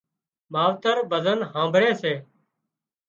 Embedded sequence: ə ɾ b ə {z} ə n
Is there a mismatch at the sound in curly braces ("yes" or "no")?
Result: no